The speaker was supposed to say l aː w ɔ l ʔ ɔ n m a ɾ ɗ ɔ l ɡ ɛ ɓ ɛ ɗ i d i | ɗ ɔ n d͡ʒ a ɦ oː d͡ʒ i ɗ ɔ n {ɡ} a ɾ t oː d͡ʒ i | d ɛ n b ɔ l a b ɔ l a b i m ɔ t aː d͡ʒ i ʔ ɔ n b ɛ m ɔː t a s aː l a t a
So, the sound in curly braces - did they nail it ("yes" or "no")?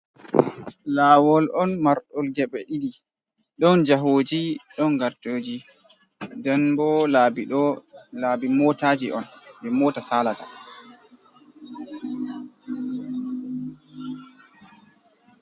yes